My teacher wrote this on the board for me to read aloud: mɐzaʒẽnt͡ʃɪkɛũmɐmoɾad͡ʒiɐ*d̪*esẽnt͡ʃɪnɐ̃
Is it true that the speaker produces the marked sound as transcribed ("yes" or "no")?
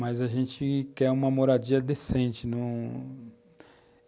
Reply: yes